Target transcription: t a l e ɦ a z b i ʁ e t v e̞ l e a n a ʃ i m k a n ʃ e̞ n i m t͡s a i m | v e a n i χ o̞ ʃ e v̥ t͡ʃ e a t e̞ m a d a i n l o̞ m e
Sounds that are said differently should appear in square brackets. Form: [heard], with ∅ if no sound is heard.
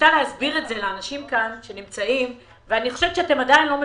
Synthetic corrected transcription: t a l e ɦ a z b i ʁ e t [z] e̞ l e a n a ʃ i m k a n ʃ e̞ n i m t͡s a i m | v e a n i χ o̞ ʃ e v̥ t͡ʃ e a t e̞ m a d a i n l o̞ m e